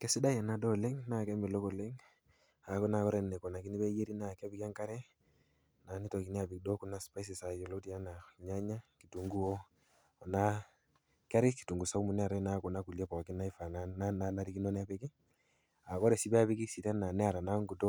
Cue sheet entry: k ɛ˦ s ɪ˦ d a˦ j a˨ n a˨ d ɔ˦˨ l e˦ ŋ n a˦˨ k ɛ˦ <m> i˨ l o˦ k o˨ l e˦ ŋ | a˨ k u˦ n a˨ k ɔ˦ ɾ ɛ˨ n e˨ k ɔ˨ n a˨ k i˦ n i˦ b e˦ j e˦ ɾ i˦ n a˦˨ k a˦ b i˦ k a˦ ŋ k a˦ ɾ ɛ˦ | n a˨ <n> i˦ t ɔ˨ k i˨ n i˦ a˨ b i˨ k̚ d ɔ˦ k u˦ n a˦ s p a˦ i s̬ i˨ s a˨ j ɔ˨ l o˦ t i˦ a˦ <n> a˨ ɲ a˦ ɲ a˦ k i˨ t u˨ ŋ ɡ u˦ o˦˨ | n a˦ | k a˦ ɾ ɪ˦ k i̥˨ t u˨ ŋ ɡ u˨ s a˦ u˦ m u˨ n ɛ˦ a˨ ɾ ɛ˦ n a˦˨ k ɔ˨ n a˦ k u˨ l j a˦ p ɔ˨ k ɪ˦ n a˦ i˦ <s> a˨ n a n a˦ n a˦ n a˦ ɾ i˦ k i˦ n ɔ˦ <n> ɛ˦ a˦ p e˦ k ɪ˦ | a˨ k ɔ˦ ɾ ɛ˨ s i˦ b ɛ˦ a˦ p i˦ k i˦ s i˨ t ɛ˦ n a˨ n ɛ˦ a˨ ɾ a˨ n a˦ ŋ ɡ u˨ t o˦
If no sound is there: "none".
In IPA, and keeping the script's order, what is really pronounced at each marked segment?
m, n, n, f, n

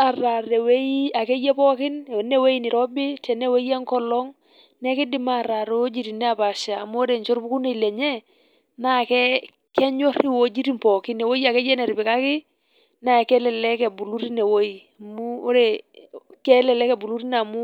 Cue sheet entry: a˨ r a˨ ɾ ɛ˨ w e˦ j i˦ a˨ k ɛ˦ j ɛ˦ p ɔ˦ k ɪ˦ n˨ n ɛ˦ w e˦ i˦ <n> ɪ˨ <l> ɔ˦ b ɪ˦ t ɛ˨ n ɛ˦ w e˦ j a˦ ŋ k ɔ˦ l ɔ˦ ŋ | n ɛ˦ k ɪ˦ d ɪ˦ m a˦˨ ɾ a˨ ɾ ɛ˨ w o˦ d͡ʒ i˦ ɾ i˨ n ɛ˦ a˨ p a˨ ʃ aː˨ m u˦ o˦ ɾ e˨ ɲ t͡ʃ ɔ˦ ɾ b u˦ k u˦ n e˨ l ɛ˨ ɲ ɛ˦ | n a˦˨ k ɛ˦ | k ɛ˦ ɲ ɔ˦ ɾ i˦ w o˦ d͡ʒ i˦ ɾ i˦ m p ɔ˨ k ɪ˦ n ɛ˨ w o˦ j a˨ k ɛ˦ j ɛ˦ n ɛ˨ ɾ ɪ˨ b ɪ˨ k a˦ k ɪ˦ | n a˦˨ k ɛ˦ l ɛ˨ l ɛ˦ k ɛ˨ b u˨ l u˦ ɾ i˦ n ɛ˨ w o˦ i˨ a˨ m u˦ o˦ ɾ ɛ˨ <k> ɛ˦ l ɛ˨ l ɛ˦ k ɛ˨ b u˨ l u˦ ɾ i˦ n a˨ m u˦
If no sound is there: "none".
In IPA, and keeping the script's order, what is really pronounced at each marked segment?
n, ɾ, k

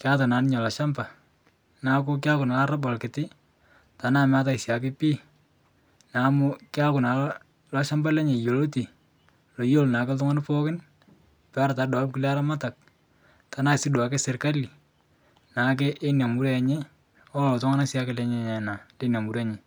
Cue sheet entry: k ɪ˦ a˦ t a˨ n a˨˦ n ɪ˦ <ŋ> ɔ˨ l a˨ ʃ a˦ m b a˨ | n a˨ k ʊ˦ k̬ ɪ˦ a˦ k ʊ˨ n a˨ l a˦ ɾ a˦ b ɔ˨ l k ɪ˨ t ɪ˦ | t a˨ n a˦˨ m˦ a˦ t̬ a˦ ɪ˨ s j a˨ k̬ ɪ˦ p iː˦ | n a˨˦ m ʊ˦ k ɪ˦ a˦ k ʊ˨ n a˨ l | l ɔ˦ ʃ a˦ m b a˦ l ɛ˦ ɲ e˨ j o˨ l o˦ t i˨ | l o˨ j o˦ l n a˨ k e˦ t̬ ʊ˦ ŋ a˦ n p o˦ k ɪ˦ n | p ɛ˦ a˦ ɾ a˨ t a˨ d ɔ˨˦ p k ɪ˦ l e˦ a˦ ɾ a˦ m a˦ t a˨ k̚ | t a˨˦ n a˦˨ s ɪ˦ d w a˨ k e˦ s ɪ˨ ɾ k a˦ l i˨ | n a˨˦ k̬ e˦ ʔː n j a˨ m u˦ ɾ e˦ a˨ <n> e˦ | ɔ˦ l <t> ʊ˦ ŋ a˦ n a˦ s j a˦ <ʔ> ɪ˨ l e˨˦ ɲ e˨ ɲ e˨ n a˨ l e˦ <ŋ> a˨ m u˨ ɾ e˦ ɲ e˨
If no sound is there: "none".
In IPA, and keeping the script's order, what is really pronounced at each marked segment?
ɲ, ɲ, t, k, n

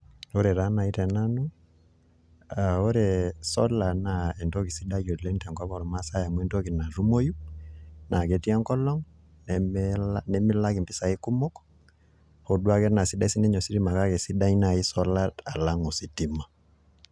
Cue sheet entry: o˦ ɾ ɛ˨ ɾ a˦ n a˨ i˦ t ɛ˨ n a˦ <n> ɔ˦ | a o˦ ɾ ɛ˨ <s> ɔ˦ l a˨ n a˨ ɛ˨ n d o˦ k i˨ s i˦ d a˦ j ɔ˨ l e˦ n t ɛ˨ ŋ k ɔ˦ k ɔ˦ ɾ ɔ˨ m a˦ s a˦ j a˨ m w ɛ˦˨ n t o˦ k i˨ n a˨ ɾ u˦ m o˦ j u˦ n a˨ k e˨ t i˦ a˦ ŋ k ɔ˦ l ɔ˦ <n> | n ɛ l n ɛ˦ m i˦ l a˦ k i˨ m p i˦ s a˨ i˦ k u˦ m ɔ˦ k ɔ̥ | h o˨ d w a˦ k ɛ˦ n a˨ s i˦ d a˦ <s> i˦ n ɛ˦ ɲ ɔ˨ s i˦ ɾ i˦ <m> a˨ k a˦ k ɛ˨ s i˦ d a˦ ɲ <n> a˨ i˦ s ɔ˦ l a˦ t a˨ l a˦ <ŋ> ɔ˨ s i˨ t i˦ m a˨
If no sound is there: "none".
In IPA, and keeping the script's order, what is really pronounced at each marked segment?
n, s, ŋ, s, m, n, ŋ

